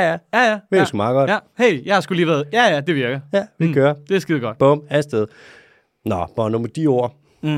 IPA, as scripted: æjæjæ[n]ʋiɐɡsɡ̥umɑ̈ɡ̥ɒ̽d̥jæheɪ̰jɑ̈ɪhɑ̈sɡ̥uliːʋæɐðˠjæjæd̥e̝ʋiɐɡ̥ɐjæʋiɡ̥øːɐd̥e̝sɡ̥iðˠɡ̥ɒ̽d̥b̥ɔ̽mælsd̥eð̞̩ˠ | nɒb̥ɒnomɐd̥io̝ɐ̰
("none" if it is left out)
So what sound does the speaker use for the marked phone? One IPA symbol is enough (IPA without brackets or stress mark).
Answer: none